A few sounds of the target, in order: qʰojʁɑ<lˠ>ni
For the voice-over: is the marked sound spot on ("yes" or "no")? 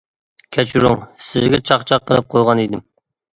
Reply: no